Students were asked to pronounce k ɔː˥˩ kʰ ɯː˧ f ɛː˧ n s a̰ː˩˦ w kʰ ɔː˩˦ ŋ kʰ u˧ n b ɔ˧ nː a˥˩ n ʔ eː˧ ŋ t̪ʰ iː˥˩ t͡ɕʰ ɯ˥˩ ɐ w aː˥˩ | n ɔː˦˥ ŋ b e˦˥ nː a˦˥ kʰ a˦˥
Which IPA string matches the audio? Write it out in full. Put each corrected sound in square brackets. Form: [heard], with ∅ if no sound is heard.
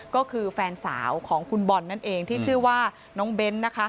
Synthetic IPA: k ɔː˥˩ kʰ ɯː˧ f ɛː˧ n s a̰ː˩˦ w kʰ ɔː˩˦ ŋ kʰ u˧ n b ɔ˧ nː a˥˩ n ʔ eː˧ ŋ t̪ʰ iː˥˩ t͡ɕʰ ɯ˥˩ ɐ w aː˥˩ | n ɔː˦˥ ŋ b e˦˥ nː a˦˥ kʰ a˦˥